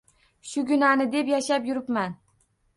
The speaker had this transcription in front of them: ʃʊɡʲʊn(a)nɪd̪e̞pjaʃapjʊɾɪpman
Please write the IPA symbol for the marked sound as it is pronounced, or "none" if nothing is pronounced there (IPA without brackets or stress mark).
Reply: a